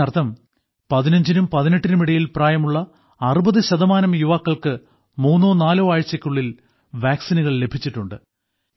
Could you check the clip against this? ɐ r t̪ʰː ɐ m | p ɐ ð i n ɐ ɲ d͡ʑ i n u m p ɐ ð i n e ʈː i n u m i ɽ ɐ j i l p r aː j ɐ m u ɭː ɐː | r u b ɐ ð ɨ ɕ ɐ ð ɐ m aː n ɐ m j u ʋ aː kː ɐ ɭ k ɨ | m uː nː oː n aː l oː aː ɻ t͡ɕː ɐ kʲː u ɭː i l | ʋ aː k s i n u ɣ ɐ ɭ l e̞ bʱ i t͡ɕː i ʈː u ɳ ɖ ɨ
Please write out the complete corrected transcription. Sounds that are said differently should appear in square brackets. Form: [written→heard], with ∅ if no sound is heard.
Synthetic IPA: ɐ r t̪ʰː ɐ m | p ɐ ð i n ɐ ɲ d͡ʑ i n u m p ɐ ð i n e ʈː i n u m i ɽ ɐ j i l p r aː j ɐ m u ɭː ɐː | r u b ɐ ð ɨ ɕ ɐ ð ɐ m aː n ɐ m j u ʋ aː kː ɐ ɭ k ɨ | m uː nː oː n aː l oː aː ɻ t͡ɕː ɐ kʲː u ɭː i l | ʋ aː k s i n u ɣ ɐ ɭ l e̞ bʱ i t͡ɕː i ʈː u ɳ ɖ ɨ